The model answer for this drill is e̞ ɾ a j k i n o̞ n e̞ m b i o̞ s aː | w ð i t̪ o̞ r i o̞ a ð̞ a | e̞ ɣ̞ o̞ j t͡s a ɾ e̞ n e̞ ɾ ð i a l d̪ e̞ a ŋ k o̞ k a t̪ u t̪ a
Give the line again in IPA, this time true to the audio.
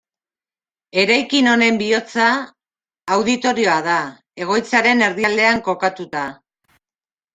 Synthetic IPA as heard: e̞ ɾ a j k i n o̞ n e̞ m b i o̞ t͡s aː | w ð i t̪ o̞ ɾ i o̞ a ð̞ a | e̞ ɣ̞ o̞ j t͡s a ɾ e̞ n e̞ ɾ ð i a l d̪ e̞ a ŋ k o̞ k a t̪ u t̪ a